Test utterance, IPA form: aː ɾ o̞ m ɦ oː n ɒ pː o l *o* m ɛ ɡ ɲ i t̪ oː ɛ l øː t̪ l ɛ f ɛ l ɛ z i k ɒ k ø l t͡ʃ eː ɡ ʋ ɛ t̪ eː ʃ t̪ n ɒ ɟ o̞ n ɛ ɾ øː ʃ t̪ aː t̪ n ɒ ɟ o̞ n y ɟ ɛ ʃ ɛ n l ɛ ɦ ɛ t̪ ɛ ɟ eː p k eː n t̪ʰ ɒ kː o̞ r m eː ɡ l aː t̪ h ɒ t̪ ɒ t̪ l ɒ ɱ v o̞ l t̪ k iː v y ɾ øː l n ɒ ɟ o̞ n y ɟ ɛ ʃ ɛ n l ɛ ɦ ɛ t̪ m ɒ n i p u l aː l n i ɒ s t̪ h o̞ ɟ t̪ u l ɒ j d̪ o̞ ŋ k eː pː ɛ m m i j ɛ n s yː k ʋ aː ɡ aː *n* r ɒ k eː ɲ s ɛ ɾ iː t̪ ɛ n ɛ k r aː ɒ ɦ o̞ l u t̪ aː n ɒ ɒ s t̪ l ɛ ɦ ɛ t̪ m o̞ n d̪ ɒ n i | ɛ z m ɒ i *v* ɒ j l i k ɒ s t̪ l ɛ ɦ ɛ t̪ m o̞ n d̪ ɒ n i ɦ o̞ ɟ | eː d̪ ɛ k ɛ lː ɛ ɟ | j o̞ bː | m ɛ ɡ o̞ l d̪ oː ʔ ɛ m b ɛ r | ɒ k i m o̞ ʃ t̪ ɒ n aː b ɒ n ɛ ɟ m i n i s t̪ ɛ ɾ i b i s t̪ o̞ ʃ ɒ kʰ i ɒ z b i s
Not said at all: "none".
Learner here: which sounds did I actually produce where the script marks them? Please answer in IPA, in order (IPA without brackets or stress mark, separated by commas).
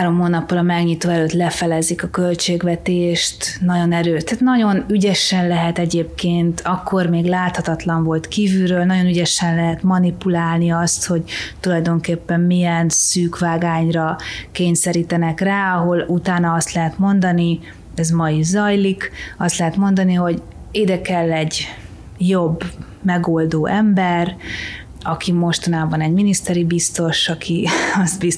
ɒ, ɲ, z